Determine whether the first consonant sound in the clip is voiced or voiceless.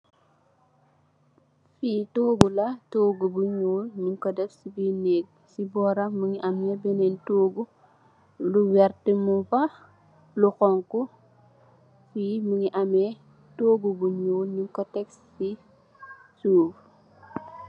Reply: voiceless